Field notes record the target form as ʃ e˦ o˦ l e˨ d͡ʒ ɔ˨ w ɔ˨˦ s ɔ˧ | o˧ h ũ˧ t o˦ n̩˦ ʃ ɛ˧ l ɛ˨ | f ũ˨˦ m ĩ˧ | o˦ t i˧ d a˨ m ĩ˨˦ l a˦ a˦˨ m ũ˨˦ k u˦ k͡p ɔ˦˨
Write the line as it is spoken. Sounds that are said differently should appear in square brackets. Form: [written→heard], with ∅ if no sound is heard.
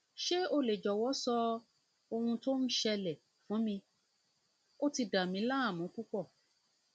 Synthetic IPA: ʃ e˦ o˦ l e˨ d͡ʒ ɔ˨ w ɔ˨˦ s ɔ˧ | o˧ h ũ˧ t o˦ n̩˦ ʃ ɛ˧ l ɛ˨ | f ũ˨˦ m ĩ˧ | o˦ t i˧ d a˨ m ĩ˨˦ l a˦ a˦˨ m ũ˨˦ k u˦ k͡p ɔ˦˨